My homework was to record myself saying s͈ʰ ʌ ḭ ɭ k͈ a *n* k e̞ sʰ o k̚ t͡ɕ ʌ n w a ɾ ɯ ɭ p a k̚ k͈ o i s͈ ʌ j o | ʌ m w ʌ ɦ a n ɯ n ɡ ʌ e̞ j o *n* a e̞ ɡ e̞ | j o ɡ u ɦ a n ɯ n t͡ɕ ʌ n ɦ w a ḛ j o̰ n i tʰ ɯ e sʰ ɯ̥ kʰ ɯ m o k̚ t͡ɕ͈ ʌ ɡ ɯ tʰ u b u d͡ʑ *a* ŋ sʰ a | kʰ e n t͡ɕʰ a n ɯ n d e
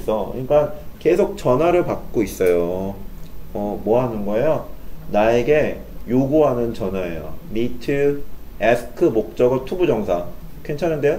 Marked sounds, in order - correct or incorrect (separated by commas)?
correct, correct, incorrect